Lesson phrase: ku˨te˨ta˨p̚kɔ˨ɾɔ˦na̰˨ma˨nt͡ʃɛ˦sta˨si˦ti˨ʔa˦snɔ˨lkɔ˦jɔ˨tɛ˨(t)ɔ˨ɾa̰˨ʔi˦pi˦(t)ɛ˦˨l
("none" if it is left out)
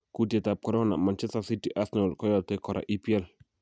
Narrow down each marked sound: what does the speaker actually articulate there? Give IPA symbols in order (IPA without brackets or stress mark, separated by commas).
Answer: k, none